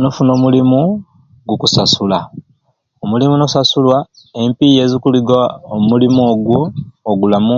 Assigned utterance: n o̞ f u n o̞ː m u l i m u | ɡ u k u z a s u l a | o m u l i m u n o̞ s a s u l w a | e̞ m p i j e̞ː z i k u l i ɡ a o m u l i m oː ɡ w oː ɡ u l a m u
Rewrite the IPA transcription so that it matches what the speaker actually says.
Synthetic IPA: n o̞ f u n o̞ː m u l i m u | ɡ u k u s a s u l a | o m u l i m u n o̞ s a s u l w a | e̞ m p i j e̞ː z i k u l i ɡ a o m u l i m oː ɡ w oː ɡ u l a m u